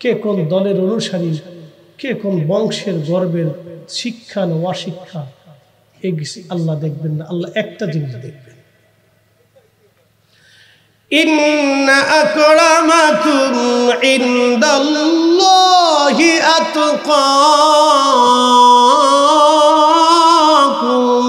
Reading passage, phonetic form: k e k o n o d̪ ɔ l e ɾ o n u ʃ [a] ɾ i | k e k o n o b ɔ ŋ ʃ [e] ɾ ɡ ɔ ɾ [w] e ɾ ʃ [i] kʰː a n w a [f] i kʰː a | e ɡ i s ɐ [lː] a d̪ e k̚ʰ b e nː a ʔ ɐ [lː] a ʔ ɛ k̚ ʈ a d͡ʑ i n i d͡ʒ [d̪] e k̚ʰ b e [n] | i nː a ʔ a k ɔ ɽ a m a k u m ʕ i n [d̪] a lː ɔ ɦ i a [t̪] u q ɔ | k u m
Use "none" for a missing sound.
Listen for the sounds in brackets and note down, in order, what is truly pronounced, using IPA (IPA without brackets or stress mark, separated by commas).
a, e, b, i, ʃ, lː, lː, d̪, n, d̪, t̪